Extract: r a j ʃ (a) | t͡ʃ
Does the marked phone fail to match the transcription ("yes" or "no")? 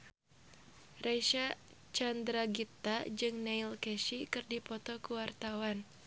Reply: no